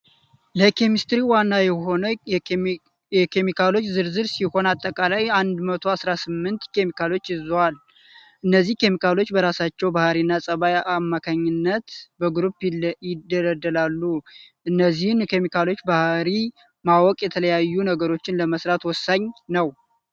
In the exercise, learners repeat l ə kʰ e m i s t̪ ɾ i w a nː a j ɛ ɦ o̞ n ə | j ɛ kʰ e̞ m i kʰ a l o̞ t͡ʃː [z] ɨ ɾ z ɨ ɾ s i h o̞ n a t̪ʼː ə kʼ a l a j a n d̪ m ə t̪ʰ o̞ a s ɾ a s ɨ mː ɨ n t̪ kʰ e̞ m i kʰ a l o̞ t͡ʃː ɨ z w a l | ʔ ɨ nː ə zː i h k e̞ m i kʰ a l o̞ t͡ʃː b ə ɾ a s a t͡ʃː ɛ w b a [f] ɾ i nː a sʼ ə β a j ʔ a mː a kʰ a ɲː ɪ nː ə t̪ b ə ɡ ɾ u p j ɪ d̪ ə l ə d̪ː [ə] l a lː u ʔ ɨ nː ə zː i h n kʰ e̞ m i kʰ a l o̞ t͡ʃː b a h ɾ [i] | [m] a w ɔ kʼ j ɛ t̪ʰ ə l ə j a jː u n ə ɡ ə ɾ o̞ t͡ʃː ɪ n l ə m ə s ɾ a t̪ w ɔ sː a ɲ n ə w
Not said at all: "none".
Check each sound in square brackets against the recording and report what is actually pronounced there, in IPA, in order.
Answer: z, h, ə, i, m

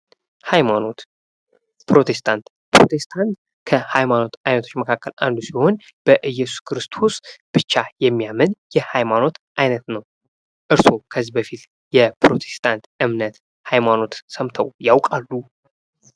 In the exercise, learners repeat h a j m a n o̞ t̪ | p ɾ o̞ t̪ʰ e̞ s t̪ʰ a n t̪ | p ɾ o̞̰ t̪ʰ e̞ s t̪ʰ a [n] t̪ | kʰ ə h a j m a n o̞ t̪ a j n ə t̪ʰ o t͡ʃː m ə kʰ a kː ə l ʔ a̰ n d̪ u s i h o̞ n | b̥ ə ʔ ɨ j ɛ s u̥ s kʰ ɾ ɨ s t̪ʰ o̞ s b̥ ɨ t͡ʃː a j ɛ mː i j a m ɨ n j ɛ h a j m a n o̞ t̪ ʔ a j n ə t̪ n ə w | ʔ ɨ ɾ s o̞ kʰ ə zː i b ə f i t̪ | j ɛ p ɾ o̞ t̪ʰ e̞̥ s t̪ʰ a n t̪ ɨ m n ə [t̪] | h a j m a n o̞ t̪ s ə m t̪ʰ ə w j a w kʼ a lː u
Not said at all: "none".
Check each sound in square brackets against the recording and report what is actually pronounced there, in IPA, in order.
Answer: n, t̪

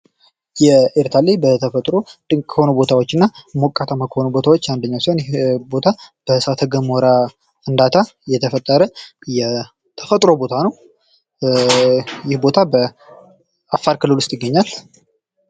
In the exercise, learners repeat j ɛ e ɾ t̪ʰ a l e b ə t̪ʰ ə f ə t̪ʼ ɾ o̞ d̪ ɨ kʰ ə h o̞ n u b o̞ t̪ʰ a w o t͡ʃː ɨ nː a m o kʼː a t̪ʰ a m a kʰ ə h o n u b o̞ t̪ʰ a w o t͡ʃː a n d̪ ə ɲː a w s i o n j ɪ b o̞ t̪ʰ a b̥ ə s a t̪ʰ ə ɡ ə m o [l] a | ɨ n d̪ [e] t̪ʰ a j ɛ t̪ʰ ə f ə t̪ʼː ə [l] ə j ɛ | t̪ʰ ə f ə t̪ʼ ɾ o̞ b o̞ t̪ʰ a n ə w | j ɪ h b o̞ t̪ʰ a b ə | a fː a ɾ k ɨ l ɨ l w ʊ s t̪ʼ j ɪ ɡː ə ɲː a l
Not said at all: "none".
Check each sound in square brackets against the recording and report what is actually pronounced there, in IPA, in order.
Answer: ɾ, a, ɾ

